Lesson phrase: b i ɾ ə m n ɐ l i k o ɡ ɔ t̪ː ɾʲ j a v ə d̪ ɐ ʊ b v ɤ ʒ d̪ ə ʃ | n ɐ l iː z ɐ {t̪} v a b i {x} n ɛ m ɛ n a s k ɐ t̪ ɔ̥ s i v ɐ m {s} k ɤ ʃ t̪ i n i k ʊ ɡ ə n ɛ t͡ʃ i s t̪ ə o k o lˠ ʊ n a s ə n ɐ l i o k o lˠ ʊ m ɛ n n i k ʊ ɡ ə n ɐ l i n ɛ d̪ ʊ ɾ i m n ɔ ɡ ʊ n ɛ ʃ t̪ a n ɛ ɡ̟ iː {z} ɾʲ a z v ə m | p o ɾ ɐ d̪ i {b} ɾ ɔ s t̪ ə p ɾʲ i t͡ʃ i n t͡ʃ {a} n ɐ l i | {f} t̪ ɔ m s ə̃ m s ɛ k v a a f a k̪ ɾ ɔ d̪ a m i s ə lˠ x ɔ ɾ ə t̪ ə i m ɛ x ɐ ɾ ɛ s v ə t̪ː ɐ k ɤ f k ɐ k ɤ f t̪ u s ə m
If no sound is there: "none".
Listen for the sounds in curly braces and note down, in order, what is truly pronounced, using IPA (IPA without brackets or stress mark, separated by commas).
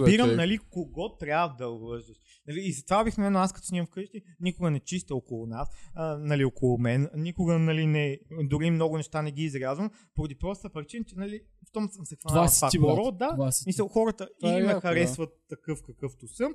t̪, x, f, z, p, ɛ, f